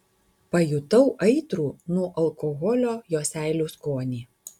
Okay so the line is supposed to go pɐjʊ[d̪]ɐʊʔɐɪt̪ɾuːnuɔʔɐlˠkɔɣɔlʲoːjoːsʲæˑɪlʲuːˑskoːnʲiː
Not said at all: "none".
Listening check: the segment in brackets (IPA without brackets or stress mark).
t̪